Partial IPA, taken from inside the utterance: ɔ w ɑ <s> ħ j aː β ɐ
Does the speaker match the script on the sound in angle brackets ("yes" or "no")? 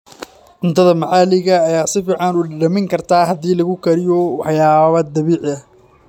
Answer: no